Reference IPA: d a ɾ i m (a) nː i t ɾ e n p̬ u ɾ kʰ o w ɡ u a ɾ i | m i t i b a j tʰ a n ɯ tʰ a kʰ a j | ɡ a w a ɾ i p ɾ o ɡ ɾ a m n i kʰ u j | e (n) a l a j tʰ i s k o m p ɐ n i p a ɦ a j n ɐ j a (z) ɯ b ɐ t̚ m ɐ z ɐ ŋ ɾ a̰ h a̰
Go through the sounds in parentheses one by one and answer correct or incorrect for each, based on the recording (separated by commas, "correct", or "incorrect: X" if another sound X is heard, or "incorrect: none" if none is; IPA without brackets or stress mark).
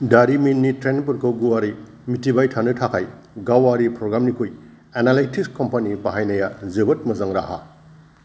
incorrect: i, correct, correct